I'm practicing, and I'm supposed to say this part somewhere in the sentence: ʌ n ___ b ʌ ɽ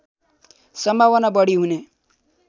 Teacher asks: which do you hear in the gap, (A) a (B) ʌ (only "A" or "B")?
A